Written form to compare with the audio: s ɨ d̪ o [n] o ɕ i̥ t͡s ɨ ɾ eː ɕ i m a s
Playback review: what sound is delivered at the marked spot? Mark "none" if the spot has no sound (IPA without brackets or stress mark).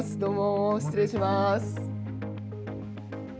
m